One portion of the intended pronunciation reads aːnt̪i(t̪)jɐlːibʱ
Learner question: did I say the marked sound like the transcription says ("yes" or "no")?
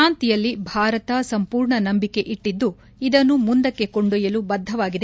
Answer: no